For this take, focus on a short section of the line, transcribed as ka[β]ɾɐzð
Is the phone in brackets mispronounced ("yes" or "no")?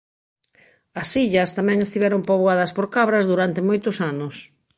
no